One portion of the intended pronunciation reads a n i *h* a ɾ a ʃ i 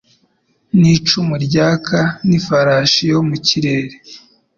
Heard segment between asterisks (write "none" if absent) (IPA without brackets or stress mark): f